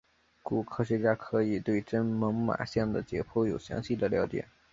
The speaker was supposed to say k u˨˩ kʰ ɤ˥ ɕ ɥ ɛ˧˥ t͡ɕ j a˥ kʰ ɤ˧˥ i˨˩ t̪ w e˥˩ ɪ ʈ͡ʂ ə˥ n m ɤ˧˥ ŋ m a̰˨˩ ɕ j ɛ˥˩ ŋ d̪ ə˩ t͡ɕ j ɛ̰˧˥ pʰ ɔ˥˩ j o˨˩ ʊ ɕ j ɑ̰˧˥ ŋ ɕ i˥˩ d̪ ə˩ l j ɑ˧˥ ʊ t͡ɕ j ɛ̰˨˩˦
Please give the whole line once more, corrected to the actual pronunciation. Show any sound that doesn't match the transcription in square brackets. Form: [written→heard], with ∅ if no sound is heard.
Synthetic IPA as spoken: k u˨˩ kʰ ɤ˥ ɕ ɥ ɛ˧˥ t͡ɕ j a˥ kʰ ɤ˧˥ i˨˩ t̪ w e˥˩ ɪ ʈ͡ʂ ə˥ n m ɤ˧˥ ŋ m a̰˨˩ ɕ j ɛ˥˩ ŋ d̪ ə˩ t͡ɕ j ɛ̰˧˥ pʰ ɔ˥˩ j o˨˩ ʊ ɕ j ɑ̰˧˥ ŋ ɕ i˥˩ d̪ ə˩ l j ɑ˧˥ ʊ t͡ɕ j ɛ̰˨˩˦